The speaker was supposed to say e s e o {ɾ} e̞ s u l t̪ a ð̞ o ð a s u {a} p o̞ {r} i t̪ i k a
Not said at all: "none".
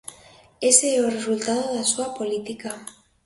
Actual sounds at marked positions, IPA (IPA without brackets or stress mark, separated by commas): r, a, l